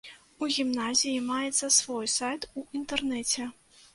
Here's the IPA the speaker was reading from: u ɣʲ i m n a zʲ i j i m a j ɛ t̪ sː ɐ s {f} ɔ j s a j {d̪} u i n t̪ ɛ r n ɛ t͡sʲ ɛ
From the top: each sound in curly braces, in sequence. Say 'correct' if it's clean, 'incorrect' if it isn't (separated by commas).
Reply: incorrect, incorrect